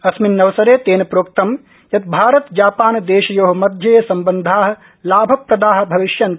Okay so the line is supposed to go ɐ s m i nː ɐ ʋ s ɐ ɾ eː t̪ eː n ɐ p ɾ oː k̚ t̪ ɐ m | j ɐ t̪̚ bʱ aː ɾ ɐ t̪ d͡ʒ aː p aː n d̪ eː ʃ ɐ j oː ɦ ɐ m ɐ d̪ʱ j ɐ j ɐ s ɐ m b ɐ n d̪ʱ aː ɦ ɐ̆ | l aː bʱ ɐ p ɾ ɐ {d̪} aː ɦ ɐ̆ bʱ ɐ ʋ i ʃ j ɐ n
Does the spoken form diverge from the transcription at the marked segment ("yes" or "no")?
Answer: no